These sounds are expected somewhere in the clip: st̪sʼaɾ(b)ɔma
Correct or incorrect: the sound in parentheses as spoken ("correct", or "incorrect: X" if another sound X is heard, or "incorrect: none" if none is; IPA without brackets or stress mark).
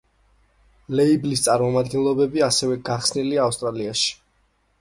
incorrect: m